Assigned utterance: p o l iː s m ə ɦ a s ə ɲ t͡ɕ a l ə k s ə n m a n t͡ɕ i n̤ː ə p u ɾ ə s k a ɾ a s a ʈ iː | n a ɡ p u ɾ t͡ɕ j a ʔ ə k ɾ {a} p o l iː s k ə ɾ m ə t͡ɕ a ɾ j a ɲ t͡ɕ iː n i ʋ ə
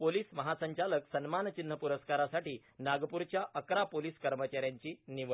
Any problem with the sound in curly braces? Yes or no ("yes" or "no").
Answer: no